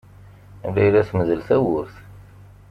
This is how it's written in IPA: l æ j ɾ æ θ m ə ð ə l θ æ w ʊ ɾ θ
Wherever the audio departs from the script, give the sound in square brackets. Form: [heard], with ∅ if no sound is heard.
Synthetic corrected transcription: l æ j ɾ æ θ m ə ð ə l θ æ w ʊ ɾ θ

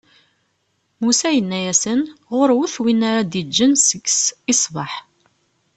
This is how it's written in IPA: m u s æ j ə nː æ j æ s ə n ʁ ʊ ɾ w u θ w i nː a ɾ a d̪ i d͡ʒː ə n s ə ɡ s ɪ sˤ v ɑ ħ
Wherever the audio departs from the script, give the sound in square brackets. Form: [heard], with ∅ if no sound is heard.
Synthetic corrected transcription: m u s æ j ə nː æ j æ s ə n ʁ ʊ ɾ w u θ w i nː a ɾ a d̪ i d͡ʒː ə n s ə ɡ s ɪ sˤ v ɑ ħ

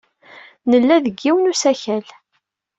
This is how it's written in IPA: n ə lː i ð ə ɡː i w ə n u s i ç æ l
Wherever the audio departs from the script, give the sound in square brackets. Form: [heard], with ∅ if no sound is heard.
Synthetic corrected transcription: n ə lː [æ] ð ə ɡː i w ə n u s [æ] ç æ l

